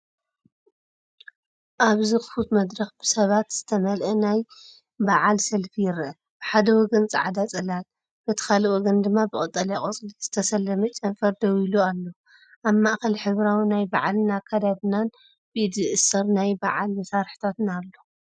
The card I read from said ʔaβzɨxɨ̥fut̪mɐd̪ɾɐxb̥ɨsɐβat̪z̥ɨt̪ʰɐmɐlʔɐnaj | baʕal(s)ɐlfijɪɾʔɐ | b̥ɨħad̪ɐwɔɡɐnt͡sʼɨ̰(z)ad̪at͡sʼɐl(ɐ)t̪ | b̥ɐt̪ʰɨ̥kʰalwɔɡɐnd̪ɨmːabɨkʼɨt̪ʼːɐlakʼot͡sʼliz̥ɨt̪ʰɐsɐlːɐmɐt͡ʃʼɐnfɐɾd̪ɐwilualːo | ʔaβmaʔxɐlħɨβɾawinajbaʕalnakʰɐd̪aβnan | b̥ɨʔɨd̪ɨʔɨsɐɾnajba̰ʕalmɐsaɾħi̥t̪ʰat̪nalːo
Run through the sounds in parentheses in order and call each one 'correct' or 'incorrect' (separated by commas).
correct, incorrect, incorrect